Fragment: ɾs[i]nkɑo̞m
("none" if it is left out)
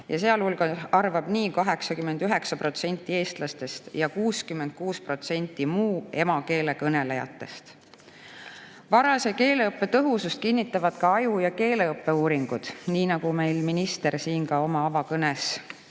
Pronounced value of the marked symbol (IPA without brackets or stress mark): iː